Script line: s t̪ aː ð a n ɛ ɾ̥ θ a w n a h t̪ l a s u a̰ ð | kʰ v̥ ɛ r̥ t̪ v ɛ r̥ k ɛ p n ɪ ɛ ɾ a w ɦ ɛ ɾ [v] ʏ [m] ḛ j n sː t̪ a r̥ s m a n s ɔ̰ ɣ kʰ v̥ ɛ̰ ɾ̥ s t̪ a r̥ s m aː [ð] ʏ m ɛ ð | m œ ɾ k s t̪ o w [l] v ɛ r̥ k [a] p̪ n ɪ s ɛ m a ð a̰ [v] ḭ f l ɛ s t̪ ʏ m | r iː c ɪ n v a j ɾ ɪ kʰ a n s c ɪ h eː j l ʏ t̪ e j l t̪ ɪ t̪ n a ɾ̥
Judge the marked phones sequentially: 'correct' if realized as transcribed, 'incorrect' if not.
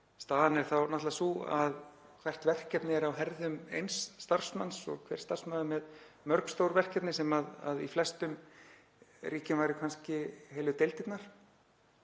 incorrect, correct, correct, incorrect, incorrect, incorrect

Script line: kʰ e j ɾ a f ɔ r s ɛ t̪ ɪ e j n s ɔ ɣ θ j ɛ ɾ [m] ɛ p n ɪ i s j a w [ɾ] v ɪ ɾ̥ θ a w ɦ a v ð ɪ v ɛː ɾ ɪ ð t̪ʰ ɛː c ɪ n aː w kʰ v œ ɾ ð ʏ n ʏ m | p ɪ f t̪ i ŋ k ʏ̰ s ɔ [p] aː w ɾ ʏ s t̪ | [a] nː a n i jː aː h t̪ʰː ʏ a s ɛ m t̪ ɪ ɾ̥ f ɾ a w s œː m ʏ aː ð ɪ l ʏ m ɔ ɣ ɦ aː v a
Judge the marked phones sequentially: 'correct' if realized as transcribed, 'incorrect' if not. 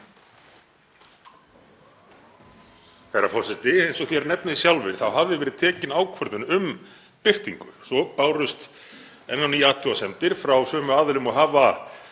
incorrect, incorrect, correct, incorrect

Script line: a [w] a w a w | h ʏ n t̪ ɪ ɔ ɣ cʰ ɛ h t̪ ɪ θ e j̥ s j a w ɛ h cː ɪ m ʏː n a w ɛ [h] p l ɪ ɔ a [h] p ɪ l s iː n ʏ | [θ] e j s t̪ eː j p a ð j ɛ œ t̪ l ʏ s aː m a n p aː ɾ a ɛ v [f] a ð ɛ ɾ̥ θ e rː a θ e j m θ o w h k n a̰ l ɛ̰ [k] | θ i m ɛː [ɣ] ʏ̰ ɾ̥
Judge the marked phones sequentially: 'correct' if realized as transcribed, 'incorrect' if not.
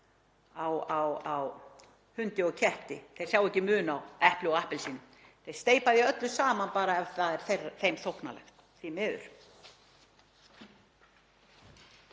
correct, correct, correct, correct, incorrect, incorrect, incorrect

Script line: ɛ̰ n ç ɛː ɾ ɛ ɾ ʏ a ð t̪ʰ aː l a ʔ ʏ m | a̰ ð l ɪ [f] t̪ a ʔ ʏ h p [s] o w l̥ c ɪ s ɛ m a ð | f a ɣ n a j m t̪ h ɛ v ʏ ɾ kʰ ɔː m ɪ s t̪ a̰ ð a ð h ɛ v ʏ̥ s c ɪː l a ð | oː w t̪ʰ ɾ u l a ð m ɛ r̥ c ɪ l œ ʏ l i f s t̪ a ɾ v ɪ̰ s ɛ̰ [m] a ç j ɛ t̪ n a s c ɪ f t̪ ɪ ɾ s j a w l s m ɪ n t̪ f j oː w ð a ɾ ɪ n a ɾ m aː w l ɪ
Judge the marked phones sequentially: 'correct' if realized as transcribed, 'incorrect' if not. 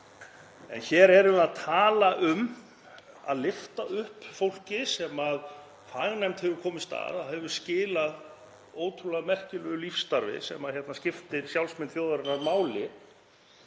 correct, incorrect, correct

